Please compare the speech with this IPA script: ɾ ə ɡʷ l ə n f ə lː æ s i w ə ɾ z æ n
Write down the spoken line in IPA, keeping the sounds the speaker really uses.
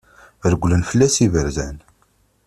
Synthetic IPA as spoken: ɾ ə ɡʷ l ə n f ə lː æ s i v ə ɾ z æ n